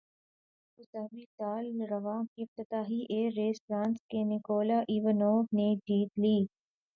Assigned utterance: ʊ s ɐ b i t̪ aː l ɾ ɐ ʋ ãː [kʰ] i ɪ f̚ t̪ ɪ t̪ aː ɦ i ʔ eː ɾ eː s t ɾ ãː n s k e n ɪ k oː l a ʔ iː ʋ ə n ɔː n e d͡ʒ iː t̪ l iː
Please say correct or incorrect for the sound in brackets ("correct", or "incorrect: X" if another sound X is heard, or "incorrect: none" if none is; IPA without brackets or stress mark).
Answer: incorrect: k